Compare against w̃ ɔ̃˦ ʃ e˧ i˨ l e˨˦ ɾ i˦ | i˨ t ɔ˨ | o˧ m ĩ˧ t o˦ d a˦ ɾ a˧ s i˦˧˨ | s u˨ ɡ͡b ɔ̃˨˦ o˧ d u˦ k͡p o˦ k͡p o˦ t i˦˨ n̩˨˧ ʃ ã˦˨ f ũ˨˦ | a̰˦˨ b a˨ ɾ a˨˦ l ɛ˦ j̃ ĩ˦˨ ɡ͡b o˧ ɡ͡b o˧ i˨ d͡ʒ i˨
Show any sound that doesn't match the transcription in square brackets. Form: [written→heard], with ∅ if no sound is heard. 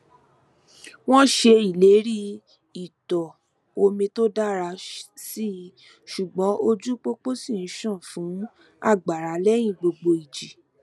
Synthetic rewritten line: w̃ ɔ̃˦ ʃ e˧ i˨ l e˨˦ ɾ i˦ | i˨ t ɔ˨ | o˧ m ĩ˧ t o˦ d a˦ ɾ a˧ s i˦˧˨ | [s→ʃ] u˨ ɡ͡b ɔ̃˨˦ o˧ [d→d͡ʒ] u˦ k͡p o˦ k͡p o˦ [t→s] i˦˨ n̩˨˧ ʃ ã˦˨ f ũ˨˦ | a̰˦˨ [b→ɡ͡b] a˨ ɾ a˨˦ l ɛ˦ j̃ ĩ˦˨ ɡ͡b o˧ ɡ͡b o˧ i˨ d͡ʒ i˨